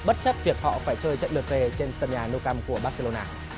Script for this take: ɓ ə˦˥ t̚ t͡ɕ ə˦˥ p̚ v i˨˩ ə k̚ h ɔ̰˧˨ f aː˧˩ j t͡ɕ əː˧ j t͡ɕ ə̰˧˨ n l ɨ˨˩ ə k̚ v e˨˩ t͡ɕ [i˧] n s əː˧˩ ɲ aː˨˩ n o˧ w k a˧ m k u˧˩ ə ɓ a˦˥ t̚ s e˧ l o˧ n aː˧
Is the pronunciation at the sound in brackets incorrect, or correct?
incorrect